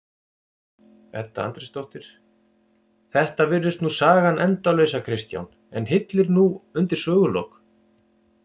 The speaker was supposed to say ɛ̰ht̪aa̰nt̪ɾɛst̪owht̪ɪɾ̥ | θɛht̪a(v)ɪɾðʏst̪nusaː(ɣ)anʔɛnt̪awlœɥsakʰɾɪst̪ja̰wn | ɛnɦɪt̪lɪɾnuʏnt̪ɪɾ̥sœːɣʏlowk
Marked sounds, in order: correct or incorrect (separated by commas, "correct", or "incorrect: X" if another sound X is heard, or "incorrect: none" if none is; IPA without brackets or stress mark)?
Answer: correct, correct